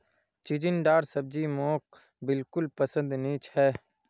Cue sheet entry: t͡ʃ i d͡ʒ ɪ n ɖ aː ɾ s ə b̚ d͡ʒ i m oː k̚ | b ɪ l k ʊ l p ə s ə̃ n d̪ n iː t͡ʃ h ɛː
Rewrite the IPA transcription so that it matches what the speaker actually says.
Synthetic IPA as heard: t͡ʃ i d͡ʒ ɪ n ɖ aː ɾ s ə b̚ d͡ʒ i m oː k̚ | b ɪ l k ʊ l p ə s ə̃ n d̪ n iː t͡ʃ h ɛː